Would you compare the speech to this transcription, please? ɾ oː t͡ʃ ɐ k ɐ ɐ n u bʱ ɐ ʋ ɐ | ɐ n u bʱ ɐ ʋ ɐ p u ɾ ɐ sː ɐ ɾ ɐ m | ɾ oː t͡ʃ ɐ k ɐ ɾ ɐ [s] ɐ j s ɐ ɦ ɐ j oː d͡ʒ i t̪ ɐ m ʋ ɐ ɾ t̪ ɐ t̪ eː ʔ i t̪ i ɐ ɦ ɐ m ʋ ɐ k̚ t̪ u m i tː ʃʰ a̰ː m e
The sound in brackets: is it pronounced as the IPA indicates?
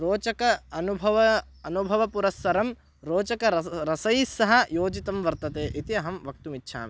yes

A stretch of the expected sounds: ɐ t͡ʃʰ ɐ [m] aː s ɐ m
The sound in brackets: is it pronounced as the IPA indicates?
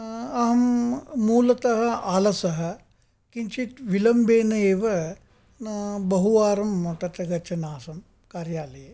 no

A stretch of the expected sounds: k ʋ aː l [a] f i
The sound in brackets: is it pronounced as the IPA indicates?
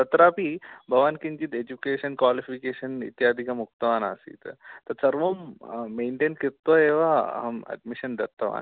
no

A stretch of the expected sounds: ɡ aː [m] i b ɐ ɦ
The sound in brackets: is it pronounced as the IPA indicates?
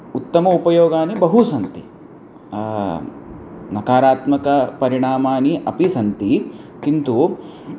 no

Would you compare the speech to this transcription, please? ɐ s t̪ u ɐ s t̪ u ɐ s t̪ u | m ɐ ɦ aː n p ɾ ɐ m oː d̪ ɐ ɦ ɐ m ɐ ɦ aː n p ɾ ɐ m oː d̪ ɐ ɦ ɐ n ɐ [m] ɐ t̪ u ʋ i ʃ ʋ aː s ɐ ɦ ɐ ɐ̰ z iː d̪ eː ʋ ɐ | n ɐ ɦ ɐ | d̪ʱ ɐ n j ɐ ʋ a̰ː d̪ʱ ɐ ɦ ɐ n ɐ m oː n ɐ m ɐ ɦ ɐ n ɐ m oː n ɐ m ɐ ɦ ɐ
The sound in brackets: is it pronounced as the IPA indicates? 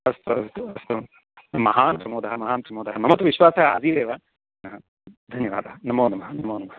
yes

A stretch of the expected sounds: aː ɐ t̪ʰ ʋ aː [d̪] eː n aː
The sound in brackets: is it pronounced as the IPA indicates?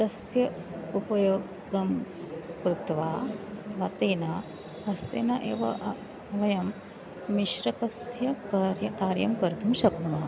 no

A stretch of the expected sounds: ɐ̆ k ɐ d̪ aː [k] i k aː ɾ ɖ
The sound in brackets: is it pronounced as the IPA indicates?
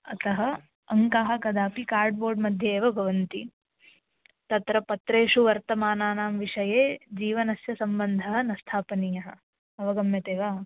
no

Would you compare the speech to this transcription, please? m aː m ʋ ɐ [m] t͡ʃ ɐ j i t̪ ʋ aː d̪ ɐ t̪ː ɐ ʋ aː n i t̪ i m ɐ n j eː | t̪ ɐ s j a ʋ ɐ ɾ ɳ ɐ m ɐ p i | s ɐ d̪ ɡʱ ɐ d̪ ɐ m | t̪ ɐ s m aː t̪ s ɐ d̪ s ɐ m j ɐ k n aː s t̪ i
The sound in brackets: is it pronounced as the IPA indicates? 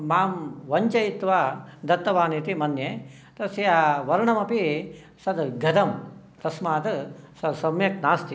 no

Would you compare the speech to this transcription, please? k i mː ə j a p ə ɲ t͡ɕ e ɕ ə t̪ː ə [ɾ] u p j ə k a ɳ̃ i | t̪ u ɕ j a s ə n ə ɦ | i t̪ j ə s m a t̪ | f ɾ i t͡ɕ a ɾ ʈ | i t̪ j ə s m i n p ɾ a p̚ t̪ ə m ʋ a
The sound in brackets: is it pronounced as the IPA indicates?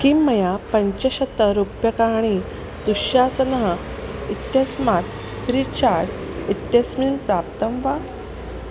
yes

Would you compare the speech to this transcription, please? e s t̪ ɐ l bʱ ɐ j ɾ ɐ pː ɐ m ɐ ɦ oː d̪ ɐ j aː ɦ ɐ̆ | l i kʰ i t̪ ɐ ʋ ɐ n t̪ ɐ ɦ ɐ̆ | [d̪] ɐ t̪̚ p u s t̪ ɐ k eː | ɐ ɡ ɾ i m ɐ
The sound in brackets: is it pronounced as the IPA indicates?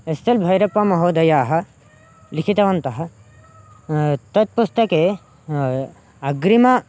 no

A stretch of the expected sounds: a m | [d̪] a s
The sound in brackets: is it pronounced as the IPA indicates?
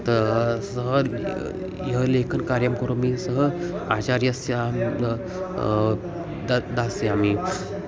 yes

